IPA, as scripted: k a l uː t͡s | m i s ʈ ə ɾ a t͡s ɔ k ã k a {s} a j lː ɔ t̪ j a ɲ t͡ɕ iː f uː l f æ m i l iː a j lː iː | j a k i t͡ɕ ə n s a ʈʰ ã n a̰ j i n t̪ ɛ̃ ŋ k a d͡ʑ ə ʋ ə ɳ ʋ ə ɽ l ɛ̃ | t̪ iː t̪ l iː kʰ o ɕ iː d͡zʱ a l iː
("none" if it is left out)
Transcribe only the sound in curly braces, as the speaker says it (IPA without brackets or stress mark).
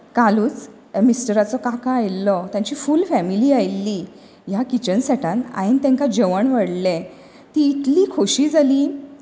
none